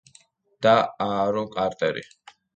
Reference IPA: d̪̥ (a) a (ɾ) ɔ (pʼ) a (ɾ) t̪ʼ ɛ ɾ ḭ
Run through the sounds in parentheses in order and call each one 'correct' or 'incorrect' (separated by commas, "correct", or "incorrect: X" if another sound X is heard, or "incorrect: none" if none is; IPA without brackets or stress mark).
correct, correct, incorrect: kʼ, correct